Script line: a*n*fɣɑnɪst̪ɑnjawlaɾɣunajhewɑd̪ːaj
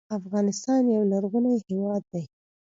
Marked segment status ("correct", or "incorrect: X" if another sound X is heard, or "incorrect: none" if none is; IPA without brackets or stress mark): incorrect: none